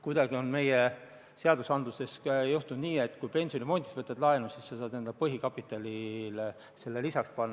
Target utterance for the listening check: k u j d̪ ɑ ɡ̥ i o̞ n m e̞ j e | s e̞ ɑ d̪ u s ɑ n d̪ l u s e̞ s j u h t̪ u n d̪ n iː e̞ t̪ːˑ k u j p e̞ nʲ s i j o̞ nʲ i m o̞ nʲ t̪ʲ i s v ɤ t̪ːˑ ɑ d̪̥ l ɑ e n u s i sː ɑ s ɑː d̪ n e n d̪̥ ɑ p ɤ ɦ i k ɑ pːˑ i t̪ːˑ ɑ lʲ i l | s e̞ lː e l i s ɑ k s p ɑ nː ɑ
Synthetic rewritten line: k u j d̪ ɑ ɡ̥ i o̞ n m e̞ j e | s e̞ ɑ d̪ u s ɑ n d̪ l u s e̞ s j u h t̪ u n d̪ n iː e̞ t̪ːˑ k u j p e̞ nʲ s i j o̞ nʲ i m o̞ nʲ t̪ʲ i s v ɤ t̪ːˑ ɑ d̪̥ l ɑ e n u s i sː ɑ s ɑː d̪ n e n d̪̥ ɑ p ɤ ɦ i k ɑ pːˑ i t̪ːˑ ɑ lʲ i l | s e̞ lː e l i s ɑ k s p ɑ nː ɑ